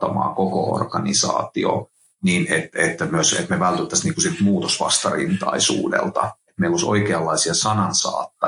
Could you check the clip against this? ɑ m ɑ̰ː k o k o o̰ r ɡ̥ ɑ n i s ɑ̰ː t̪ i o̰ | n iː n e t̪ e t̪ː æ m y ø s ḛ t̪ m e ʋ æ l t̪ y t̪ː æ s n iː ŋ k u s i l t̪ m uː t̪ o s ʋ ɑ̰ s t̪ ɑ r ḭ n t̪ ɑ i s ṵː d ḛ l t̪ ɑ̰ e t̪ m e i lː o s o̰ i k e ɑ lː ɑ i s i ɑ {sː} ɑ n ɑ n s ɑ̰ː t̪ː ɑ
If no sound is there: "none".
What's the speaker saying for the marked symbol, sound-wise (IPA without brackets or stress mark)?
s